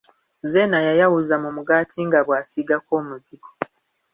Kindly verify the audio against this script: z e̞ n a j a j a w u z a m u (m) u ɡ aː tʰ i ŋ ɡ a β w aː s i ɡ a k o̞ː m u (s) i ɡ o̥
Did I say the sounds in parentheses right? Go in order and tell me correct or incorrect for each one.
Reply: correct, incorrect

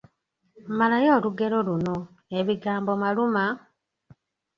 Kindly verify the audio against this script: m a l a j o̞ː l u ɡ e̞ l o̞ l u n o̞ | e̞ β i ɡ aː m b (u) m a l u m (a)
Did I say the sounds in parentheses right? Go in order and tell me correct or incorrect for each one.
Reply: incorrect, correct

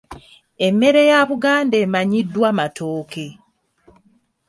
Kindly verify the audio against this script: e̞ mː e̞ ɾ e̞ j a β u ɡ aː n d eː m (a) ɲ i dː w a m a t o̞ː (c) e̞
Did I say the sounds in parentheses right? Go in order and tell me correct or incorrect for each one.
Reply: correct, incorrect

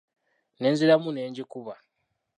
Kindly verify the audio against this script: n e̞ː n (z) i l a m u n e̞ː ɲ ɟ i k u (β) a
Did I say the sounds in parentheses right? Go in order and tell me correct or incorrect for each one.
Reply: correct, correct

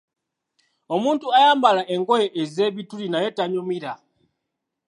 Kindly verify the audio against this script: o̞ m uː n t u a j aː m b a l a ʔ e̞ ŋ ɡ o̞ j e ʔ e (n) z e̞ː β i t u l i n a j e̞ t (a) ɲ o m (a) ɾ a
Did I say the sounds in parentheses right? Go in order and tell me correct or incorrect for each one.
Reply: incorrect, correct, incorrect

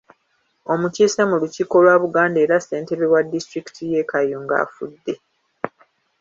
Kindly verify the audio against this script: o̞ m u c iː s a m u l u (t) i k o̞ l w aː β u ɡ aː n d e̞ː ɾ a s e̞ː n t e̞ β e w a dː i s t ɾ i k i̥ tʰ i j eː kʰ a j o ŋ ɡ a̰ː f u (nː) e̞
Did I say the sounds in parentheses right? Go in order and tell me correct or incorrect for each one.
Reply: incorrect, incorrect

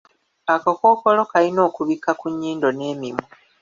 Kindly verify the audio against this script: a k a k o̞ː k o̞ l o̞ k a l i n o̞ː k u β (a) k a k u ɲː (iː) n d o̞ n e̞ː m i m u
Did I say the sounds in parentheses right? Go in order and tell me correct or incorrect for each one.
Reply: incorrect, correct

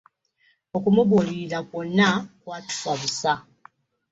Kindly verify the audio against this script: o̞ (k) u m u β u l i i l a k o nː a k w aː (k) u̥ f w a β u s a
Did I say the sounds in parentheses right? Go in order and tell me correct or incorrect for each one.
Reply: correct, incorrect

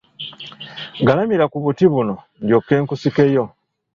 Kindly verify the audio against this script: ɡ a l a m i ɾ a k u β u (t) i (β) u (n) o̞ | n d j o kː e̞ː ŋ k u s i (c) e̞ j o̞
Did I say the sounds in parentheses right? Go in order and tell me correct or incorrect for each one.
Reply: correct, correct, correct, incorrect

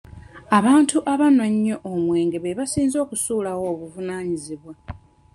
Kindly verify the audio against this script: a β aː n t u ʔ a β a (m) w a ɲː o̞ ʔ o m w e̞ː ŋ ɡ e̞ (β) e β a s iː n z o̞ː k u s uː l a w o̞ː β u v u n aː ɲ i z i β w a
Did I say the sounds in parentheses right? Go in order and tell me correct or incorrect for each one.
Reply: incorrect, correct

